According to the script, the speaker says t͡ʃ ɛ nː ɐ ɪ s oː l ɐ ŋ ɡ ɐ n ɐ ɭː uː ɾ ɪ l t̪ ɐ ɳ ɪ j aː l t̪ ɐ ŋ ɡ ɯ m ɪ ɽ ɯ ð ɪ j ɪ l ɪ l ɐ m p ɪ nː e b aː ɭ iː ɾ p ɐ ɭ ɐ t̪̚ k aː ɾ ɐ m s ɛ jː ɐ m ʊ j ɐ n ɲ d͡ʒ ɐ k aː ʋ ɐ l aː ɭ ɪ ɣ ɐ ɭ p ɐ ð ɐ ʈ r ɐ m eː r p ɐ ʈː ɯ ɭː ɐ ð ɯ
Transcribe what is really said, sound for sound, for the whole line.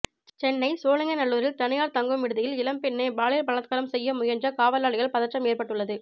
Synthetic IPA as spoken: t͡ʃ ɛ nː ɐ ɪ s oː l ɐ ŋ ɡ ɐ n ɐ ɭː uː ɾ ɪ l t̪ ɐ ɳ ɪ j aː ɾ t̪ ɐ ŋ ɡ ɯ m ɪ ɽ ɯ ð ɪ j ɪ l ɪ l ɐ m p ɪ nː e b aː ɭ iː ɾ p ɐ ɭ ɐ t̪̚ k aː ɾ ɐ m s ɛ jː ɐ m ʊ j ɐ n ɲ d͡ʒ ɐ k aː ʋ ɐ l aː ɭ ɪ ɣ ɐ ɭ p ɐ ð ɐ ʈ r ɐ m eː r p ɐ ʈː ɯ ɭː ɐ ð ɯ